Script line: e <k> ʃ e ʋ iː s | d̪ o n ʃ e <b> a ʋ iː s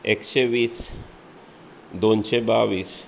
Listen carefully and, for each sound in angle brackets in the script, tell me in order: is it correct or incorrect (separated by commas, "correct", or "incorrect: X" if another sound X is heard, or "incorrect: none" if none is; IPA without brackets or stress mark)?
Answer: correct, correct